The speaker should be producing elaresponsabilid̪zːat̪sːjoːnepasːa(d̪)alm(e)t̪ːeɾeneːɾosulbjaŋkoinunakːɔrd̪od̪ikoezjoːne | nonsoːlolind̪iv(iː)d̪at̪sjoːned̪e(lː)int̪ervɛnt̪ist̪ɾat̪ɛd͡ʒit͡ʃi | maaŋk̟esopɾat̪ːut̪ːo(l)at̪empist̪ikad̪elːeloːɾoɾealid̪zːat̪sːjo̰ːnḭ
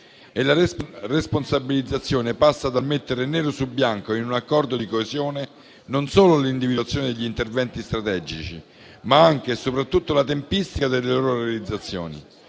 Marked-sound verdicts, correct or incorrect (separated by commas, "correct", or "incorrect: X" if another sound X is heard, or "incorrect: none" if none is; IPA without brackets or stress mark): correct, correct, incorrect: i, incorrect: ʎː, correct